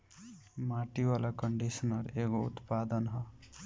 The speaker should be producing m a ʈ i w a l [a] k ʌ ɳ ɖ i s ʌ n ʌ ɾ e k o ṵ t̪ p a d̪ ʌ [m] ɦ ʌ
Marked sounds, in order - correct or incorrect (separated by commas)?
correct, incorrect